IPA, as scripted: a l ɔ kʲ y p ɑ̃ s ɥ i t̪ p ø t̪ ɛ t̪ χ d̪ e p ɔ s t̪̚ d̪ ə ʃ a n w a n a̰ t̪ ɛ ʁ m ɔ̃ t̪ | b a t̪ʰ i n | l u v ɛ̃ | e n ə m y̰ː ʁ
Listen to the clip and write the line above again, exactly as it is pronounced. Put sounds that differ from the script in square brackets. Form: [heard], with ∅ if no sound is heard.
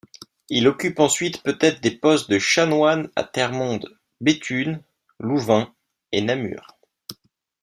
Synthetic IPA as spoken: [i] l ɔ kʲ y p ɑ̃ s ɥ i t̪ p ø t̪ ɛ t̪ χ d̪ e p ɔ s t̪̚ d̪ ə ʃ a n w a n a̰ t̪ ɛ ʁ m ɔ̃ [d̪] | b [e] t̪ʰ [y] n | l u v ɛ̃ | e n [a] m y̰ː ʁ